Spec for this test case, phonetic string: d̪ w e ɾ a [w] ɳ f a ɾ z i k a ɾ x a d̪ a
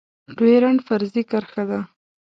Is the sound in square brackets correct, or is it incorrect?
incorrect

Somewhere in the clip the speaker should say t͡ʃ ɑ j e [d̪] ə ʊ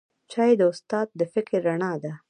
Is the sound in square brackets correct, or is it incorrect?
correct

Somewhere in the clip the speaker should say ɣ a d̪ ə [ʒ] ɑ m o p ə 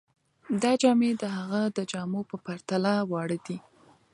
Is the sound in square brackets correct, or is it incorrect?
incorrect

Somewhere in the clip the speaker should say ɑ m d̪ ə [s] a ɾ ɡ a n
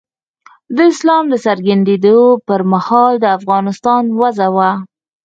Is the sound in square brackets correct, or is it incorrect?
correct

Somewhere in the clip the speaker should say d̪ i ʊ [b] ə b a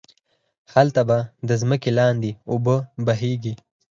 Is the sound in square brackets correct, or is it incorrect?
correct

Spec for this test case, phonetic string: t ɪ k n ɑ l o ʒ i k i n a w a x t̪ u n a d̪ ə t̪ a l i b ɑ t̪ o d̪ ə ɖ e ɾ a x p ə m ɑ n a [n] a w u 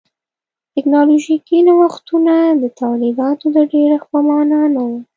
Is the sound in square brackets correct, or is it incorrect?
correct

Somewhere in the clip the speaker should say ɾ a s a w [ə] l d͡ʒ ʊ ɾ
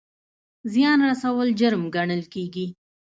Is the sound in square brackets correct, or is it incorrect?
correct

